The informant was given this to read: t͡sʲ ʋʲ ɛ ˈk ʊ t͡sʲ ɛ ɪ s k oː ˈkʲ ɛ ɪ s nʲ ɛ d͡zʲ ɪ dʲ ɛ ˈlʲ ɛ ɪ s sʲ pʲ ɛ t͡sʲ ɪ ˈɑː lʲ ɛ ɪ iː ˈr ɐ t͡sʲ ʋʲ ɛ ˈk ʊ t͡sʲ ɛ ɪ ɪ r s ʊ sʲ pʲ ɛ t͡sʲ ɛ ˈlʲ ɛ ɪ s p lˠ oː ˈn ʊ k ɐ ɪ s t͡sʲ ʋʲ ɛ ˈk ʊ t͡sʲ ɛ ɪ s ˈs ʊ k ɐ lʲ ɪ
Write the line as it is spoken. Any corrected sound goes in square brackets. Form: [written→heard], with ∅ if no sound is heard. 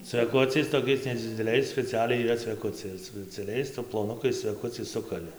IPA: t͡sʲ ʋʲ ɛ ˈk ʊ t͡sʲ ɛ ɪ s [k→t] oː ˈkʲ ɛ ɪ s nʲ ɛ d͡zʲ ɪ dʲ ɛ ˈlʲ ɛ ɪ s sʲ pʲ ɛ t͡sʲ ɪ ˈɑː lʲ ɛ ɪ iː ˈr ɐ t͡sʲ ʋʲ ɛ ˈk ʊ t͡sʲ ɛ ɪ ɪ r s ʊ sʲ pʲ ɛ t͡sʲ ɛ ˈlʲ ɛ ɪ s p lˠ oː ˈn ʊ k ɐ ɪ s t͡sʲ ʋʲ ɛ ˈk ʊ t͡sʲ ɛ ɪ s ˈs ʊ k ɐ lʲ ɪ